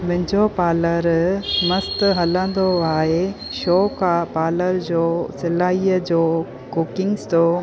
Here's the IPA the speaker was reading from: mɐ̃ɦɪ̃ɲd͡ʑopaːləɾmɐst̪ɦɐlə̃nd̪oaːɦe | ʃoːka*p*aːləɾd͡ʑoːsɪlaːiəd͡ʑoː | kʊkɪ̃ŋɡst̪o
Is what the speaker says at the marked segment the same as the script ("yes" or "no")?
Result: yes